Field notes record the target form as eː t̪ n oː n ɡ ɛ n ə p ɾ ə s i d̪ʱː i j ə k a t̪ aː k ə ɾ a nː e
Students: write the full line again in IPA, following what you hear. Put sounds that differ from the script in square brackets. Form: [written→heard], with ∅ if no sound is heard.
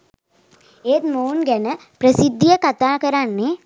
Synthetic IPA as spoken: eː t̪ [n→m] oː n ɡ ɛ n ə p ɾ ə s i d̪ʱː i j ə k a t̪ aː k ə ɾ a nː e